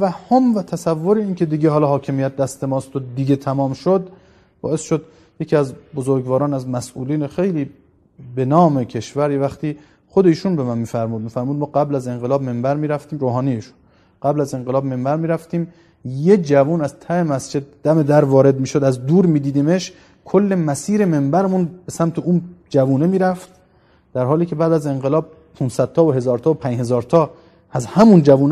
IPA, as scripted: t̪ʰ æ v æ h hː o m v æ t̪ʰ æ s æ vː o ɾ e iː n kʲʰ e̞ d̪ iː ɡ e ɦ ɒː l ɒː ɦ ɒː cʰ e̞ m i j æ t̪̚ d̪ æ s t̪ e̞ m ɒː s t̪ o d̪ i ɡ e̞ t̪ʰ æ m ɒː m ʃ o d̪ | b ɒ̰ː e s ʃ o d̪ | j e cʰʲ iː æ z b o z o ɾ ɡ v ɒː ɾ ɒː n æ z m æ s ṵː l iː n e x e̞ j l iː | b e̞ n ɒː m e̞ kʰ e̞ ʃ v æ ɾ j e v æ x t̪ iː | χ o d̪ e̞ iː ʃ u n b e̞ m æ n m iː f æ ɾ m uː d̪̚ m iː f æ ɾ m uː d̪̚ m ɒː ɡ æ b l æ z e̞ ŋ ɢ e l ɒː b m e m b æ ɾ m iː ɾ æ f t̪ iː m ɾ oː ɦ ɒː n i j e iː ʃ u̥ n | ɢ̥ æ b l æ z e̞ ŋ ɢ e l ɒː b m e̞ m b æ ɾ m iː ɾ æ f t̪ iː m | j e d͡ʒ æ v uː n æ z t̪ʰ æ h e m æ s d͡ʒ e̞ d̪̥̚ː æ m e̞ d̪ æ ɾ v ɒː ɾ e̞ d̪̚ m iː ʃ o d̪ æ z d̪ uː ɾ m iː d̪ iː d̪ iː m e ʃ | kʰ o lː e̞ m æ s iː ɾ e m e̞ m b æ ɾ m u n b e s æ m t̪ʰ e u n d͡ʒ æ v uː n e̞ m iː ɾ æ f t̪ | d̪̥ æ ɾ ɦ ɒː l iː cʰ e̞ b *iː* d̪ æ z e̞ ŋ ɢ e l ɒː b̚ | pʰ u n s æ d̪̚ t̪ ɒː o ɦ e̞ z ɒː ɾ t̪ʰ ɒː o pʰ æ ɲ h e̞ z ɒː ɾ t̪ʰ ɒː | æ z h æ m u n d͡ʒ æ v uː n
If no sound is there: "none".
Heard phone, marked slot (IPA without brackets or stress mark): æː